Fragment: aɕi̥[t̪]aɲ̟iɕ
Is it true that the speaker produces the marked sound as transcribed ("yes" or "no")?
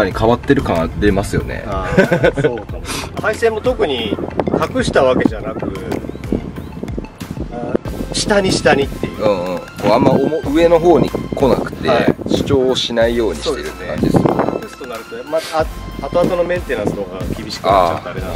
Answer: yes